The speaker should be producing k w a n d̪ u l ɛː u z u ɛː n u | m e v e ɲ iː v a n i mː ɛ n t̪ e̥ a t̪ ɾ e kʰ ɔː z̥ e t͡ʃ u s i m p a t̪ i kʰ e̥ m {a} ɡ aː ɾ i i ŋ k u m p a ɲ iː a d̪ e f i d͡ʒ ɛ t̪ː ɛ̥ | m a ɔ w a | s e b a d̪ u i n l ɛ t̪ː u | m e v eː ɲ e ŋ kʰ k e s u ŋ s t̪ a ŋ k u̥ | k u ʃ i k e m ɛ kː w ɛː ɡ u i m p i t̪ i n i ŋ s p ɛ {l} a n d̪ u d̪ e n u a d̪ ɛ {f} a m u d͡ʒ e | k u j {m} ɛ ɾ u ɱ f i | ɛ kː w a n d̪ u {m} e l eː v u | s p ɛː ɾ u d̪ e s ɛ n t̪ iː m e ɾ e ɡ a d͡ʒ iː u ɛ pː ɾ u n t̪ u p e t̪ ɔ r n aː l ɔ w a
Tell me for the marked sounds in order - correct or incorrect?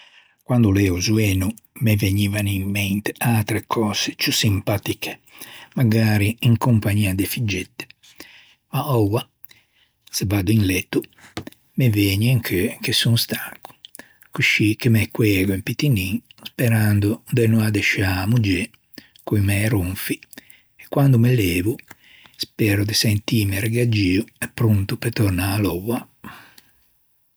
correct, incorrect, incorrect, correct, correct

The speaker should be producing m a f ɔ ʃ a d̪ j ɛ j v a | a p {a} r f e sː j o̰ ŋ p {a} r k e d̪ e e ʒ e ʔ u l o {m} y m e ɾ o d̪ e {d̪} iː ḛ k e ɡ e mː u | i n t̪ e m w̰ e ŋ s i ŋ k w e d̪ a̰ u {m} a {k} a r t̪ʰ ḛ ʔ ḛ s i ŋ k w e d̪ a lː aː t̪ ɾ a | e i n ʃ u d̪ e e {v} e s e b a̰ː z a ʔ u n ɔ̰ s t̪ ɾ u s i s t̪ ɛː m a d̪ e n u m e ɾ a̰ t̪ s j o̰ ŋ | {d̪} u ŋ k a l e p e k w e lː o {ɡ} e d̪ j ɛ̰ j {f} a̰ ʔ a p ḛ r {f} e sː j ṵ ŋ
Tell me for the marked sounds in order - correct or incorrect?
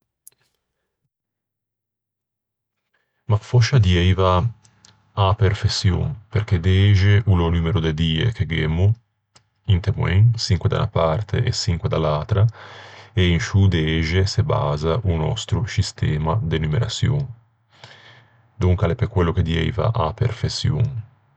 incorrect, incorrect, incorrect, correct, incorrect, incorrect, incorrect, correct, incorrect, incorrect, correct

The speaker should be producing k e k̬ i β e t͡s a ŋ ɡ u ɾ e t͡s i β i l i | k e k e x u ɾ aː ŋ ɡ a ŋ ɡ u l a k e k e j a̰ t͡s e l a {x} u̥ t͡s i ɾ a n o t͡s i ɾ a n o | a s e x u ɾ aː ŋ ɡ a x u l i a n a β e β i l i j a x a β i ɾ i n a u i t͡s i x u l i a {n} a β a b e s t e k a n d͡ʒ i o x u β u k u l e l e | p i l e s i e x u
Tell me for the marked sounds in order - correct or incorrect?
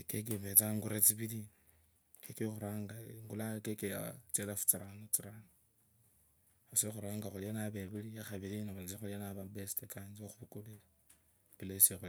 incorrect, correct

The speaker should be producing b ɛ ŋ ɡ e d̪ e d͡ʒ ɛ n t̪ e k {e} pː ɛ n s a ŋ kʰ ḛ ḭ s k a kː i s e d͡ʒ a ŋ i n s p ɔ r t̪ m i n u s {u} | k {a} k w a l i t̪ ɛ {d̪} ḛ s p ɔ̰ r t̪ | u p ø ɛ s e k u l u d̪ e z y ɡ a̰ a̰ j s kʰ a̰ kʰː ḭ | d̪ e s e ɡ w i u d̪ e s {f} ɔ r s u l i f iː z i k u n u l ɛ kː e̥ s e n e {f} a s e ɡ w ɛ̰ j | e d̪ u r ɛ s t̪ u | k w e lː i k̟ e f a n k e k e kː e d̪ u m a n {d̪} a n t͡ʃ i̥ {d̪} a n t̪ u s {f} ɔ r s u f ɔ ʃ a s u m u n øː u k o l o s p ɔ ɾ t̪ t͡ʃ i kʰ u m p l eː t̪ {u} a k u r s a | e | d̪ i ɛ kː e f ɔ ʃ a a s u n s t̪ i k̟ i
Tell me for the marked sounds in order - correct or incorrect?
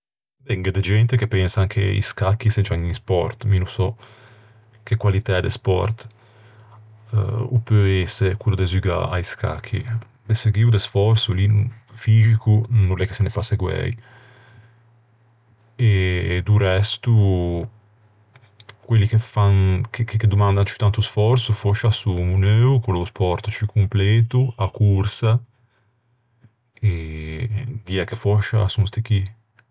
correct, incorrect, incorrect, correct, correct, correct, correct, incorrect, correct, correct

